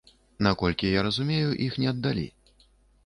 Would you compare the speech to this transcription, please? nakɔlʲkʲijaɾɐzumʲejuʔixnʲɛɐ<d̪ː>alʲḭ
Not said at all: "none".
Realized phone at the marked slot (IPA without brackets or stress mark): d̪ː